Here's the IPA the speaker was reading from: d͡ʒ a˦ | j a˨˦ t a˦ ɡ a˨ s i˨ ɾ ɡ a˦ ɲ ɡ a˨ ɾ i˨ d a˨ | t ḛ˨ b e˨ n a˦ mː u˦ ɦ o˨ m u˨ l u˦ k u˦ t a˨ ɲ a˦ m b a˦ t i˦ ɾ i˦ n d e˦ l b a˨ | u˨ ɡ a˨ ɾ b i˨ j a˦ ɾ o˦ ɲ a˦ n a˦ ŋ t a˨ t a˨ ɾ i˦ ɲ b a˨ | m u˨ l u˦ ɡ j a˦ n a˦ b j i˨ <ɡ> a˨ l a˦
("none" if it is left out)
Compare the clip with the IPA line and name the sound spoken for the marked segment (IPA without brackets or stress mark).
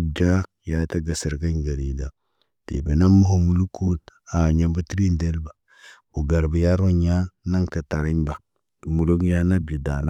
d